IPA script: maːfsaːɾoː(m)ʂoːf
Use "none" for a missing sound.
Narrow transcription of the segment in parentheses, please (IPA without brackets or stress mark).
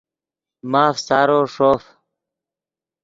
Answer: none